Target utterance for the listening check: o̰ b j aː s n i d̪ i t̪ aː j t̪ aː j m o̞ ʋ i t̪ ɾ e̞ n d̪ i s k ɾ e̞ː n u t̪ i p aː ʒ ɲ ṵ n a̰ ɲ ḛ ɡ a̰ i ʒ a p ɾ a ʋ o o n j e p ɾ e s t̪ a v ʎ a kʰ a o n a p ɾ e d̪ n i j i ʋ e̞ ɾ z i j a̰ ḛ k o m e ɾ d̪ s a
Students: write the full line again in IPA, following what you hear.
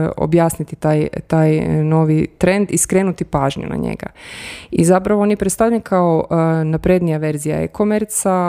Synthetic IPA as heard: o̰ b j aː s n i t̪ i t̪ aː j t̪ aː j n o̞ ʋ i t̪ ɾ e̞ n d̪ i s k ɾ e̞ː n u t̪ i p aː ʒ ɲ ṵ n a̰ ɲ ḛ ɡ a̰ i z a p ɾ a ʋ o o n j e p ɾ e s t̪ a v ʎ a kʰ a o n a p ɾ e d̪ n i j a ʋ e̞ ɾ z i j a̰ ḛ k o m e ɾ t̪ s a